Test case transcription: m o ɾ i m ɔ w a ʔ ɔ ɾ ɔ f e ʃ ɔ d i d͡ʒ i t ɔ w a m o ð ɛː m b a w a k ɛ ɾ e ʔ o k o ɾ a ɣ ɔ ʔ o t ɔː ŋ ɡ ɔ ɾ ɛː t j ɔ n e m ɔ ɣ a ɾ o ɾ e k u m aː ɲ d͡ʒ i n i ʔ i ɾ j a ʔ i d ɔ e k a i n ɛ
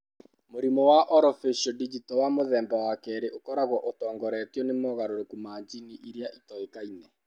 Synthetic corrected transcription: m o ɾ i m ɔ w a ʔ ɔ ɾ ɔ f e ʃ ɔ d i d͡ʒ i t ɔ w a m o ð ɛː m b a w a k ɛ ɾ e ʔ o k ɔ ɾ a ɣ ɔ ʔ o t ɔː ŋ ɡ ɔ ɾ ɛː t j ɔ n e m ɔ ɣ a ɾ o ɾ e k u m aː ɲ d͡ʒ i n i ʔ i ɾ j a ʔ i t ɔ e k a i n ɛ